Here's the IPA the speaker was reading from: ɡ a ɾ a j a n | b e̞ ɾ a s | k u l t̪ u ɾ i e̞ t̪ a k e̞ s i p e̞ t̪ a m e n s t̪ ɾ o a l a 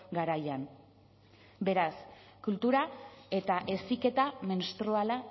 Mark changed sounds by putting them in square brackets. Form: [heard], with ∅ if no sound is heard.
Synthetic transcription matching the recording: ɡ a ɾ a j a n | b e̞ ɾ a s | k u l t̪ u ɾ [a] e̞ t̪ a [ʔ] e̞ s i [k] e̞ t̪ a m e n s t̪ ɾ o a l a